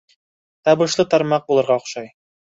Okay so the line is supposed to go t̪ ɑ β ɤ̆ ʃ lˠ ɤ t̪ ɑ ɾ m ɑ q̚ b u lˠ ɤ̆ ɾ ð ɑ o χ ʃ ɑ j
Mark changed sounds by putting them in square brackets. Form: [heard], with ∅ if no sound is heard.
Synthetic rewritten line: t̪ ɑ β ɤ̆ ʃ lˠ ɤ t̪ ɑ ɾ m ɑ q̚ b u lˠ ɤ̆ ɾ [ʁ] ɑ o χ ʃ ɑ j